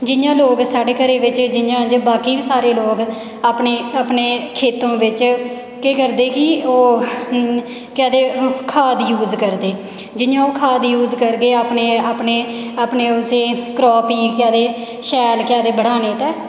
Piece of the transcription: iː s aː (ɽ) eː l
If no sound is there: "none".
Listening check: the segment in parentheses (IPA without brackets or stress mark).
ɾ